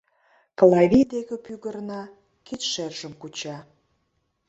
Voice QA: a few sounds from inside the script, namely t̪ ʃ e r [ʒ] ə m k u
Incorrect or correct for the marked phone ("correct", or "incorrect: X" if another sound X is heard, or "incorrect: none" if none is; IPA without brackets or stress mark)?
correct